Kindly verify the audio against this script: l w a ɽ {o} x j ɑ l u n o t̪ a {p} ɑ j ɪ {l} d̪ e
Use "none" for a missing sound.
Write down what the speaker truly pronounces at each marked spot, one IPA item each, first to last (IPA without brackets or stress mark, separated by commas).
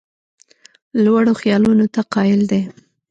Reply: o, q, l